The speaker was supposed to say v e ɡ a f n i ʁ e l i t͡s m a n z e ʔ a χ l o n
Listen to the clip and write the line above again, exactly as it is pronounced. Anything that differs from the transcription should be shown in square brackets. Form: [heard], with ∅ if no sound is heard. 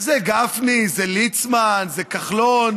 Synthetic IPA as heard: [z] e ɡ a f n i [z] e l i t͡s m a n z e [k] a χ l o n